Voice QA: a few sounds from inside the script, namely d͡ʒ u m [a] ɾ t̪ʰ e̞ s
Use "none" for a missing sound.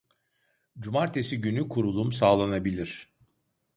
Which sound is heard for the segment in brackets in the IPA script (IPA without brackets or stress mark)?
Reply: a